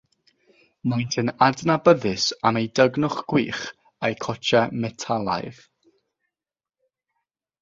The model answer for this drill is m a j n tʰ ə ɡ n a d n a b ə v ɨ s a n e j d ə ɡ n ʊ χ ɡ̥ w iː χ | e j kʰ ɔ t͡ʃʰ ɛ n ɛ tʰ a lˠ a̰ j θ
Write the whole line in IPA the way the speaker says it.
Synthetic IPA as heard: m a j n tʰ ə n a d n a b ə ð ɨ s a m e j d ə ɡ n ʊ χ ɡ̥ w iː χ | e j kʰ ɔ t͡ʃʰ ɛ m ɛ tʰ a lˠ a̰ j ð